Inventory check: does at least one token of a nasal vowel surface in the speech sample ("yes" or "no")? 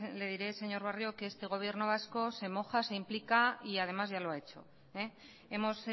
no